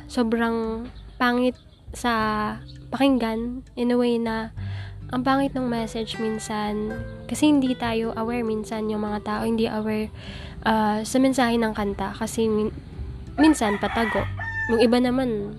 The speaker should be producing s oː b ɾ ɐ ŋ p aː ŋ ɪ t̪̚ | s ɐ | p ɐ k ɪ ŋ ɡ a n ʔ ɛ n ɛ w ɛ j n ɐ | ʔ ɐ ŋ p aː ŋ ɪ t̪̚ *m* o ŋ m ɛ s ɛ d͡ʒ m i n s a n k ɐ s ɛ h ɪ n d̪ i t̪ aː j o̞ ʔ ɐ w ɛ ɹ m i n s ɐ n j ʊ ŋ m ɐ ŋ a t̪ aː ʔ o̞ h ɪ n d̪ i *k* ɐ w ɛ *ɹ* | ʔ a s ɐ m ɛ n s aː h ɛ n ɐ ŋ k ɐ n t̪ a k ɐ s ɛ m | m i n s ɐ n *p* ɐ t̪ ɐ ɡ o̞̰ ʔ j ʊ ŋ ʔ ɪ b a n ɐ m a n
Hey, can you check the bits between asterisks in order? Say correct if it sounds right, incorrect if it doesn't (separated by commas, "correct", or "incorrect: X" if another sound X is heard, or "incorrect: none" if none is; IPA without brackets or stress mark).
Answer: incorrect: n, incorrect: ʔ, correct, correct